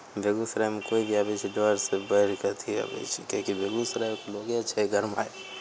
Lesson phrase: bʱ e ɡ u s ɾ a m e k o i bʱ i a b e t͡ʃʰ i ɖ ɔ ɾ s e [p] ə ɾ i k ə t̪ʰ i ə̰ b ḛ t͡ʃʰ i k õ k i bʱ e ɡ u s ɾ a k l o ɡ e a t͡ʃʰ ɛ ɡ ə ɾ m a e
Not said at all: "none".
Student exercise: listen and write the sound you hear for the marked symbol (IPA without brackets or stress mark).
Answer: b